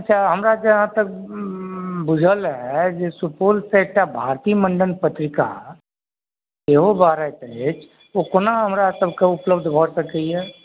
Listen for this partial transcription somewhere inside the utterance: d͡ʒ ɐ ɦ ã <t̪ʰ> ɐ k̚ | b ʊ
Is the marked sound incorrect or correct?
incorrect